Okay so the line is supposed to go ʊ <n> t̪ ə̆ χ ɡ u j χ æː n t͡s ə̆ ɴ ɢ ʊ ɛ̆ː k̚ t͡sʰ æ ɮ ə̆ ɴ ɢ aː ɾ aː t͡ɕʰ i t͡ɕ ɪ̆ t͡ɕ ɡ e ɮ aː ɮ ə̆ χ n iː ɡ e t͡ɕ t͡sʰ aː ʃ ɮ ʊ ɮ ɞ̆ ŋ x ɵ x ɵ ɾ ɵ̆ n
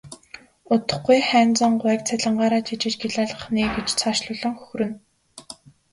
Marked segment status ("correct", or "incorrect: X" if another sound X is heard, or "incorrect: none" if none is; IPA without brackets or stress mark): incorrect: none